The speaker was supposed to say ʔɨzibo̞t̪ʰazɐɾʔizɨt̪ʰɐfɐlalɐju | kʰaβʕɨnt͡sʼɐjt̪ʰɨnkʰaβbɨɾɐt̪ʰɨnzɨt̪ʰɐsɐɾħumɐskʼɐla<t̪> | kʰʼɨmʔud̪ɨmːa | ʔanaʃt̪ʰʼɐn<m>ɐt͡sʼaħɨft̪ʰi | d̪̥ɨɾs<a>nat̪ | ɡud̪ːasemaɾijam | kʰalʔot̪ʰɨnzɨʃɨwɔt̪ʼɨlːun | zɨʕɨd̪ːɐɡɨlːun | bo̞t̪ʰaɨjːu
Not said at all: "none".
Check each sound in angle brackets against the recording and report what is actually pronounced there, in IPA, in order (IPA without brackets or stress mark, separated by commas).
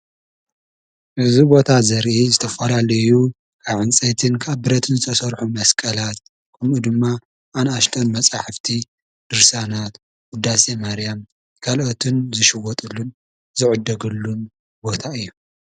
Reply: t̪, m, a